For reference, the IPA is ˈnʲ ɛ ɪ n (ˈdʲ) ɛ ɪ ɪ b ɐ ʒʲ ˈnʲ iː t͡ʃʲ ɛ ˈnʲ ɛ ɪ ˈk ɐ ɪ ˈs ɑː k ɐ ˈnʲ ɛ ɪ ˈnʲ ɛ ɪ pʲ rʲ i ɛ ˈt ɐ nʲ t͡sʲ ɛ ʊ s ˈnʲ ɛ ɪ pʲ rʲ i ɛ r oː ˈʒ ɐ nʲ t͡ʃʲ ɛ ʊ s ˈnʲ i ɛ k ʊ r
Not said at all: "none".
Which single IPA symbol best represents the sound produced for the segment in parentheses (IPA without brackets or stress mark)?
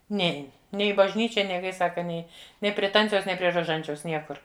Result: nʲ